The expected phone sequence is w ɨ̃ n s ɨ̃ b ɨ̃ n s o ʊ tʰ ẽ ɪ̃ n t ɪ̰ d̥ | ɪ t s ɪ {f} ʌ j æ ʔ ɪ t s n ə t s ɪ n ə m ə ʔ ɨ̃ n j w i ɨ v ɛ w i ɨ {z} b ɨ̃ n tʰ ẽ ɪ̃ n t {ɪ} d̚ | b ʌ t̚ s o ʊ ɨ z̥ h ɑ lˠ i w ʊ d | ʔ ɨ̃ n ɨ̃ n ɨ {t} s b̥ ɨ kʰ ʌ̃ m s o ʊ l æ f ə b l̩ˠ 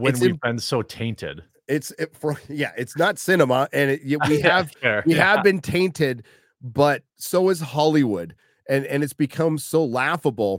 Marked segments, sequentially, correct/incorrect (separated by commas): correct, incorrect, correct, correct